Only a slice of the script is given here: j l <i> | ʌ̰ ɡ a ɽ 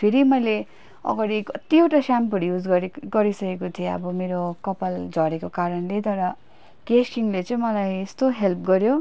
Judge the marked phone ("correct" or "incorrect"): incorrect